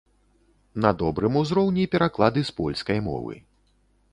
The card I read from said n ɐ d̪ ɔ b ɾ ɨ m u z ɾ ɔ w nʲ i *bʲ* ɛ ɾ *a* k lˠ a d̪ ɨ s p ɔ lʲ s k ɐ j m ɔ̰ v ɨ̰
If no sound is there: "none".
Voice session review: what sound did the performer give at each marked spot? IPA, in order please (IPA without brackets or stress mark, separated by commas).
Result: pʲ, a